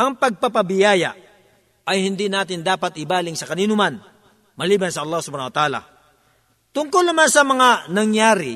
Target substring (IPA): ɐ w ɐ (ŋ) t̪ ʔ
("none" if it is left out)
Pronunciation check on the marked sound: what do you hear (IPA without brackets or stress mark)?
none